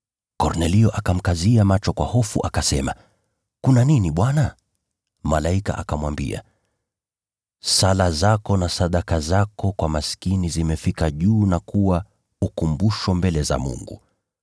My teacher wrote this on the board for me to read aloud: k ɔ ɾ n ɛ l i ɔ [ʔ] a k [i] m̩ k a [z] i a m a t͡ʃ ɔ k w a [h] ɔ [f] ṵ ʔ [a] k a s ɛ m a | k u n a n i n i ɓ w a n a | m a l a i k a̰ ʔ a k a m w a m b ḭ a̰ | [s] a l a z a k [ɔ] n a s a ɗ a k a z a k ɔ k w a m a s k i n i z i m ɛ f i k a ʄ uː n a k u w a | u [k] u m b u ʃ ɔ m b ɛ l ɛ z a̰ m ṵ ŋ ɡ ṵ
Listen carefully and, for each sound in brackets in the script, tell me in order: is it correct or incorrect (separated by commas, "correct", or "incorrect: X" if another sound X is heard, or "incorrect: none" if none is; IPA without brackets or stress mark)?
correct, incorrect: a, correct, correct, correct, correct, correct, correct, correct